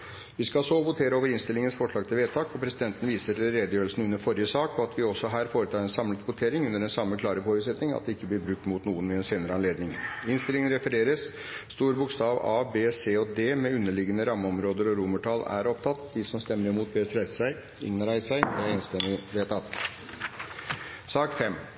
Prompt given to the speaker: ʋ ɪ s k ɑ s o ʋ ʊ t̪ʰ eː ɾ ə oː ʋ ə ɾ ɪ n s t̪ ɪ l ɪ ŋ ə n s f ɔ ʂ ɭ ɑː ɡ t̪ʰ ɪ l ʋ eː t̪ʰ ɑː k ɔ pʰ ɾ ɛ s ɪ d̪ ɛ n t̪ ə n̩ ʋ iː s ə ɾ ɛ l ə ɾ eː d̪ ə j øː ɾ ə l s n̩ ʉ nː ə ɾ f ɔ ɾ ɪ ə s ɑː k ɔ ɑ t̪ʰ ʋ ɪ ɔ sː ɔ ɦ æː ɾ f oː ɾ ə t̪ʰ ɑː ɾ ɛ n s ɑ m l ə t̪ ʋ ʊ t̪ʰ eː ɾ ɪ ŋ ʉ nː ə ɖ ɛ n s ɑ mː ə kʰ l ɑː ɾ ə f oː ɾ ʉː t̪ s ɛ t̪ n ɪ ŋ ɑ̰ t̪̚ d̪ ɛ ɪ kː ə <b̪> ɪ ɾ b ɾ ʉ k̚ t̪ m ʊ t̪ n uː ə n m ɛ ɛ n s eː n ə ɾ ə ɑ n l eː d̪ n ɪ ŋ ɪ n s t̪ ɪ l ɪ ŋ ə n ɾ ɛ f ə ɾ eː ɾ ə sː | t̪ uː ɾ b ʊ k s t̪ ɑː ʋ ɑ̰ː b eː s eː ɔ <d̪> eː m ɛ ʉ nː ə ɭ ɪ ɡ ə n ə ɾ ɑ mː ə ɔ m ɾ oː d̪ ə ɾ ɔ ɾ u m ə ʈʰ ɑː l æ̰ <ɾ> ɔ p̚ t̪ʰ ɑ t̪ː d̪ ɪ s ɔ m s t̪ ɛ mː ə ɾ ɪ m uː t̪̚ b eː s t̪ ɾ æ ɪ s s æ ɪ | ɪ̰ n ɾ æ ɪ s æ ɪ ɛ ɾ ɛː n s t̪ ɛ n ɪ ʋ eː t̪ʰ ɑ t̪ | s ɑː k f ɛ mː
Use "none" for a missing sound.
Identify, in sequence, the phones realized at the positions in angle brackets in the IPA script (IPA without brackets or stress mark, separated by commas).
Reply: b̪, d̪, ɾ